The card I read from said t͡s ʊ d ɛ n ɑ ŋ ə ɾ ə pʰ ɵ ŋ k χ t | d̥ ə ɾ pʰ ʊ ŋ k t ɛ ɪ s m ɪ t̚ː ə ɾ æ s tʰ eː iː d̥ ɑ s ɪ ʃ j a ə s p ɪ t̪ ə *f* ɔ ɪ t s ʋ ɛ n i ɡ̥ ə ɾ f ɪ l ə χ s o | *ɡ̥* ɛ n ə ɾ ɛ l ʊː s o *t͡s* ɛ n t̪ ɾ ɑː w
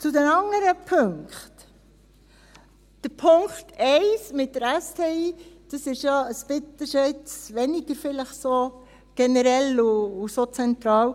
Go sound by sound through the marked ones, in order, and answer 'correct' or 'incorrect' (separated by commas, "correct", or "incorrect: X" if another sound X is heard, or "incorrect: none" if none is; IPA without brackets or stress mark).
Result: incorrect: ʃ, correct, correct